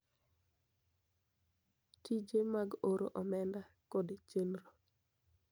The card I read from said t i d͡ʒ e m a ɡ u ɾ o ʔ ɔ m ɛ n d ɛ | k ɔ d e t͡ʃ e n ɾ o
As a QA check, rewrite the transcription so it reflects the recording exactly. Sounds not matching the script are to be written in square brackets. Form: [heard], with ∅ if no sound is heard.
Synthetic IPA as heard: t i d͡ʒ e m a ɡ [o] ɾ o ʔ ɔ m ɛ n d [a] | k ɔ d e t͡ʃ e n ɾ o